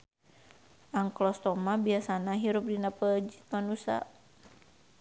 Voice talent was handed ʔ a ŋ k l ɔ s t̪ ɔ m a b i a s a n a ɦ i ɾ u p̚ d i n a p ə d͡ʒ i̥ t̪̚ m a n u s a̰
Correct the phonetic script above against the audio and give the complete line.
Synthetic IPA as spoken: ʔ a ŋ k l ɔ s t̪ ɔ m a b i a s a n a ɦ i ɾ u p̚ d i n a p ə d͡ʒ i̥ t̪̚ m a n u s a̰

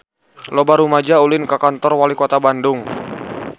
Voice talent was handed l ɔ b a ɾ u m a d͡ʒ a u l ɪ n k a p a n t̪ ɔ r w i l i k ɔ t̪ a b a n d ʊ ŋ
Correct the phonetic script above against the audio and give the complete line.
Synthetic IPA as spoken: l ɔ b a ɾ u m a d͡ʒ a u l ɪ n k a k a n t̪ ɔ r w a l i k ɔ t̪ a b a n d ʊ ŋ

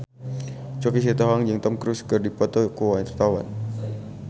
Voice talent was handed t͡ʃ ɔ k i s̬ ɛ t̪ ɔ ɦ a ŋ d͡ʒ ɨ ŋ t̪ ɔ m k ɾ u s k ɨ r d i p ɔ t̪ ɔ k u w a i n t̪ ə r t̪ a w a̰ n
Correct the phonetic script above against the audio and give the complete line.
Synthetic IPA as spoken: t͡ʃ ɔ k i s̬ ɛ t̪ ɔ ɦ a ŋ d͡ʒ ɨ ŋ t̪ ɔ m k ɾ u s k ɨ r d i p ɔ t̪ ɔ k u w a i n t̪ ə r t̪ a w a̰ n

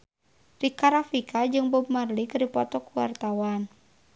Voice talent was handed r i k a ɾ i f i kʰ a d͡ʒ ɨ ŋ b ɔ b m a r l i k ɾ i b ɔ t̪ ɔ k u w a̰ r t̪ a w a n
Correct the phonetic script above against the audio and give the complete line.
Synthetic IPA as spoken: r i k a ɾ a f i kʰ a d͡ʒ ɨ ŋ b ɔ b m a r l i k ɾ i p ɔ t̪ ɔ k u w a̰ r t̪ a w a n

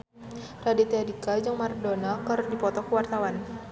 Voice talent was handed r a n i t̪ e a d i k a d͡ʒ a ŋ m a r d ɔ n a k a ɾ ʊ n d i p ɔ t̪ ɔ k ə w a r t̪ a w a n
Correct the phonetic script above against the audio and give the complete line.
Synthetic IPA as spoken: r a d i t̪ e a d i k a d͡ʒ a ŋ m a r d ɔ n a k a ɾ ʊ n d i p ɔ t̪ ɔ k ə w a r t̪ a w a n

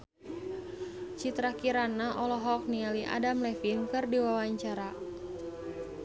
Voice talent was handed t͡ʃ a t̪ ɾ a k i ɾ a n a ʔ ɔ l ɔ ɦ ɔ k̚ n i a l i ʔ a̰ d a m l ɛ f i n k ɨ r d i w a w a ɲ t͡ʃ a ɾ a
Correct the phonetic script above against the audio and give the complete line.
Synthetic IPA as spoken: t͡ʃ i t̪ ɾ a k i ɾ a n a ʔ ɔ l ɔ ɦ ɔ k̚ n i a l i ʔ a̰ d a m l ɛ f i n k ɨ r d i w a w a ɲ t͡ʃ a ɾ a

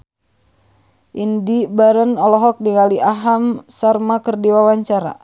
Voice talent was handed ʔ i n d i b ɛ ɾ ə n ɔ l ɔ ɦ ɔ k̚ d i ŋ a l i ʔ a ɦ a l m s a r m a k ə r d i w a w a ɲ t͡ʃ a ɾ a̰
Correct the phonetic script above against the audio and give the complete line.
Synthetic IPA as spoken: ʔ i n d i b a ɾ ə n ɔ l ɔ ɦ ɔ k̚ d i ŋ a l i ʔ a ɦ a m s a r m a k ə r d i w a w a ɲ t͡ʃ a ɾ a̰

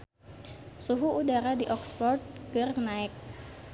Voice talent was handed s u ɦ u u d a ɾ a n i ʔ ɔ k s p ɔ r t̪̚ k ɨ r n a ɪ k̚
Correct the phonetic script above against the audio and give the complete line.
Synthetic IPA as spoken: s u ɦ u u d a ɾ a d i ʔ ɔ k s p ɔ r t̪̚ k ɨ r n a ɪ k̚

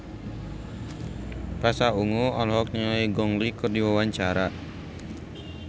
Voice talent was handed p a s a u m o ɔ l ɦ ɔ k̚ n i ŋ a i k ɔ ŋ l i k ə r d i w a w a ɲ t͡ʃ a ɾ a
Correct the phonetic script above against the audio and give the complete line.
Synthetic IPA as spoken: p a s a u ŋ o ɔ l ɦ ɔ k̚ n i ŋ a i ɡ ɔ ŋ l i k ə r d i w a w a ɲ t͡ʃ a ɾ a

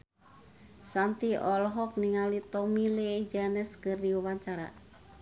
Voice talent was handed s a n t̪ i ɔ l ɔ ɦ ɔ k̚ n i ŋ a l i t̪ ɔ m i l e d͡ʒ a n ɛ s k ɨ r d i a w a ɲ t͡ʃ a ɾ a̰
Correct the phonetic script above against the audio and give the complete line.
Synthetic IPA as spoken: s a n t̪ i ɔ l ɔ ɦ ɔ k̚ n i ŋ a l i t̪ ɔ m i l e d͡ʒ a n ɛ s k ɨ r d i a w a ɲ t͡ʃ a ɾ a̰

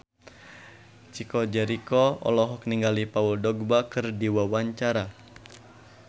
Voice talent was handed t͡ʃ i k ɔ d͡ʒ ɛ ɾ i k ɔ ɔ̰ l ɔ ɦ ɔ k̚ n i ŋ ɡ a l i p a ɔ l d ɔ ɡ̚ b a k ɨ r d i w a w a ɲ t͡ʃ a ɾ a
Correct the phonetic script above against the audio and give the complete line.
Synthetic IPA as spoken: t͡ʃ i k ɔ d͡ʒ ɛ ɾ i k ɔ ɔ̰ l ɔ ɦ ɔ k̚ n i ŋ ɡ a l i p a u l d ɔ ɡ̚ b a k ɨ r d i w a w a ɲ t͡ʃ a ɾ a

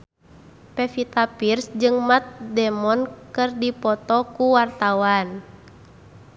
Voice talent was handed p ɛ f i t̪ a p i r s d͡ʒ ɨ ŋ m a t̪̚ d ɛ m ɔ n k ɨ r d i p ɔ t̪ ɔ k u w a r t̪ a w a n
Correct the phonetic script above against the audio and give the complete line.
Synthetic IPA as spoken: p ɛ f i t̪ a p i r s d͡ʒ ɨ ŋ m a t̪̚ d ɛ m ɔ n k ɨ r d i p ɔ t̪ ɔ k u w a r t̪ a w a n

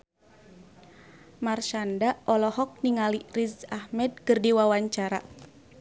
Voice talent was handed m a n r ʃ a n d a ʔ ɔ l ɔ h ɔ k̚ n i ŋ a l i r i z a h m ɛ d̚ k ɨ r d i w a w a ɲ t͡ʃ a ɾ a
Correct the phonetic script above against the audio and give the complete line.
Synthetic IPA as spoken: m a r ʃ a n d a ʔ ɔ l ɔ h ɔ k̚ n i ŋ a l i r i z a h m ɛ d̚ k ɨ r d i w a w a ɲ t͡ʃ a ɾ a

